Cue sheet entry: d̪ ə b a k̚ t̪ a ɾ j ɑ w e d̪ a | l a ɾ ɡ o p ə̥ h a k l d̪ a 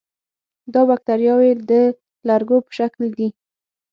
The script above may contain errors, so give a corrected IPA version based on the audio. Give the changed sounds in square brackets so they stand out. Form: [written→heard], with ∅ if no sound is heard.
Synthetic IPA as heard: d̪ [ə→ɑ] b a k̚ t̪ a ɾ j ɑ w e d̪ [a→ə] | l a ɾ ɡ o p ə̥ [h→ʃ] a k l d̪ [a→i]